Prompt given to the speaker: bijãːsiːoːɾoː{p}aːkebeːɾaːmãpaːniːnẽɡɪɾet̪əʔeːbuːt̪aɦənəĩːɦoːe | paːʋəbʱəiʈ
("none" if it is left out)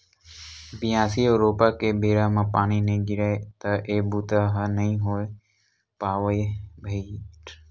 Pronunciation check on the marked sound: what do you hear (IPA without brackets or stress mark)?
p